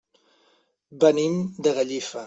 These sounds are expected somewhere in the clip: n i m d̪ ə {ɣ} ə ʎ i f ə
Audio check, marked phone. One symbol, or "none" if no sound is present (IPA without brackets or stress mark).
ɣ